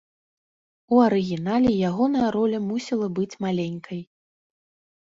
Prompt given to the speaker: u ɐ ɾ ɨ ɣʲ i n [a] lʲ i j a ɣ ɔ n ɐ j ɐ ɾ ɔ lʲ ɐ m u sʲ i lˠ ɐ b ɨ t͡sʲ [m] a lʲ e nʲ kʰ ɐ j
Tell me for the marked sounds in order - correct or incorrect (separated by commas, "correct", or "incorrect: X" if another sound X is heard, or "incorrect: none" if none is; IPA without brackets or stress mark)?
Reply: correct, correct